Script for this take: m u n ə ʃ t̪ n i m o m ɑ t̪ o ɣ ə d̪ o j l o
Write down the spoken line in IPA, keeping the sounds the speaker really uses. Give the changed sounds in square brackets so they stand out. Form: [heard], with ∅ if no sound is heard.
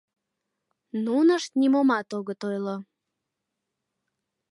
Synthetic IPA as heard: [n] u n ə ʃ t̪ n i m o m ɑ t̪ o ɣ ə [t̪] o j l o